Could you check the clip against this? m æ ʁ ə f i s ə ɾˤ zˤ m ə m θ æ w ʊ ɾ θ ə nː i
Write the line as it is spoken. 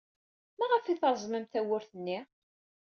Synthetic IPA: m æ ʁ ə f i θ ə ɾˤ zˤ m ə m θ æ w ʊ ɾ θ ə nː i

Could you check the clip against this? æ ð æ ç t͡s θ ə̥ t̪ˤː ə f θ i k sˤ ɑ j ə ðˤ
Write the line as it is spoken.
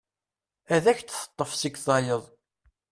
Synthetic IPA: æ ð æ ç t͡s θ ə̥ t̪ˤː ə f s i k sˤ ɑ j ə ðˤ

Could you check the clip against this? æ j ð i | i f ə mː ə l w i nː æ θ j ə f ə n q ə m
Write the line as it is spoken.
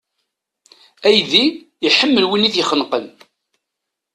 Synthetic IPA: æ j ð i | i ħ ə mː ə l w i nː i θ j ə χ ə n q ə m

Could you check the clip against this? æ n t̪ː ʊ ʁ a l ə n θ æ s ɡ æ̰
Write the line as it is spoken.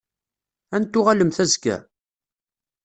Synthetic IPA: æ n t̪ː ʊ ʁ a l ə m θ æ z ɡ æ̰

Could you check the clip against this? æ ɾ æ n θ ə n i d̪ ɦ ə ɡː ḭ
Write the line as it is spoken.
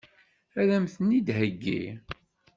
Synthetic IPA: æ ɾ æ m θ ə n i d̪ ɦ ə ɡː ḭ

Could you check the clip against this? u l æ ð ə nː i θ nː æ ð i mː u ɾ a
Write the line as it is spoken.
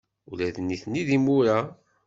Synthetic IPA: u l æ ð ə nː i θ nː i ð i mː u ɾ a

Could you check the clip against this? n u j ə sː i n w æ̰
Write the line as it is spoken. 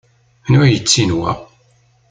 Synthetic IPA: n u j ə t͡sː i n w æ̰

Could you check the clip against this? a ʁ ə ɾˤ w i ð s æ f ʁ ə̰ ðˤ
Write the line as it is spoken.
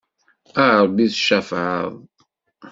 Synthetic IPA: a ʕ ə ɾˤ b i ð ʃ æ f ʕ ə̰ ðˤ

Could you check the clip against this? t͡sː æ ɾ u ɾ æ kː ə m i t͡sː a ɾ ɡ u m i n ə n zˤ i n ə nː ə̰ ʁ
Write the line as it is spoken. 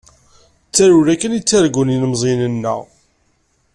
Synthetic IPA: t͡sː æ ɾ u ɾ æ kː ə n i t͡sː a ɾ ɡ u n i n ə m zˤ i n ə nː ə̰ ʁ

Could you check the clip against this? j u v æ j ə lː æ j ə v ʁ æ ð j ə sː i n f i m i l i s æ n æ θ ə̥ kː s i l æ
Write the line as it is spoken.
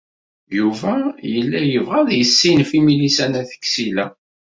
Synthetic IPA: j u v æ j ə lː æ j ə v ʁ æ ð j ə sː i n f i m i l i s æ n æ θ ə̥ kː s i l æ

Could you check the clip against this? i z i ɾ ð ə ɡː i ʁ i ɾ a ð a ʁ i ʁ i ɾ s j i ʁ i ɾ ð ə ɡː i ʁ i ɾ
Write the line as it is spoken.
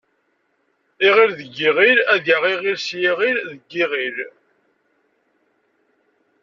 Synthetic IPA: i ʁ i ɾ ð ə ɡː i ʁ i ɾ æ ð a ʁ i ʁ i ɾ s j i ʁ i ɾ ð ə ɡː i ʁ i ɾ

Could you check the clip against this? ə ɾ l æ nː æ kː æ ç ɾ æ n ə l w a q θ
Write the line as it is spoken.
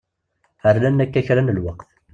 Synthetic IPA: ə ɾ l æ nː æ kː æ ç ɾ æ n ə l w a q θ

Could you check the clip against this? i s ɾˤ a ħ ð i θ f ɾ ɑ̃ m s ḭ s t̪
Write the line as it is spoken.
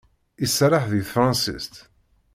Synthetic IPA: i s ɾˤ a ħ ð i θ f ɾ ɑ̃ n s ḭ s t̪

